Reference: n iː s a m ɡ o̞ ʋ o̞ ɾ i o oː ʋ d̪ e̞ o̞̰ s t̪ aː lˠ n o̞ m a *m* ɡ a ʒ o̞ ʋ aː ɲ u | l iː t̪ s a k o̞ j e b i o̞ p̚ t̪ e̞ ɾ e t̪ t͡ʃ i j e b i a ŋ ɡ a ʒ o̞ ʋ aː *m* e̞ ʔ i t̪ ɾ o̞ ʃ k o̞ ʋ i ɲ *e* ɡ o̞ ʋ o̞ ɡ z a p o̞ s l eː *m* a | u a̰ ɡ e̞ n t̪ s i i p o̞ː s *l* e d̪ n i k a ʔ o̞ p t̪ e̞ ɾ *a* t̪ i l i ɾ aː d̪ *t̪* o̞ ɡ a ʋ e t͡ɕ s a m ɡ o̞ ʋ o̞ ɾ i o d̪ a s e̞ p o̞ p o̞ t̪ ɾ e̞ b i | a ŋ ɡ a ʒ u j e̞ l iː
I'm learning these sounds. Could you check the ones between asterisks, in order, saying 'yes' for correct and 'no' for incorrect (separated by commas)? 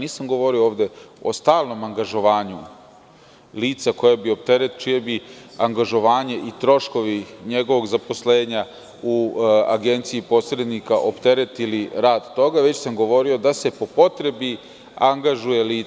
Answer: no, no, yes, no, no, no, yes